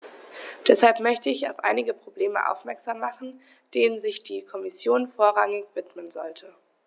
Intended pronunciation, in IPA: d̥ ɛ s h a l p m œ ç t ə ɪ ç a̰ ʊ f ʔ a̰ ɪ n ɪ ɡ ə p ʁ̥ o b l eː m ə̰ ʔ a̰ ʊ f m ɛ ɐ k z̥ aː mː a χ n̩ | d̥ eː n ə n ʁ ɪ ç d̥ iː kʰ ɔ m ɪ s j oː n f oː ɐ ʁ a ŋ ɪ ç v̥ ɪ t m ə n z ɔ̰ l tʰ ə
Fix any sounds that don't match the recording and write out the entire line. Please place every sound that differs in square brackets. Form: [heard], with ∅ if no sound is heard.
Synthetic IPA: d̥ ɛ s h a l p m œ ç t ə ɪ ç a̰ ʊ f ʔ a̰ ɪ n ɪ ɡ ə p ʁ̥ o b l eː m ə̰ ʔ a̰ ʊ f m ɛ ɐ k z̥ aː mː a χ n̩ | d̥ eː n ə n [z] ɪ ç d̥ iː kʰ ɔ m ɪ s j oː n f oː ɐ ʁ a ŋ ɪ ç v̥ ɪ t m ə n z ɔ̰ l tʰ ə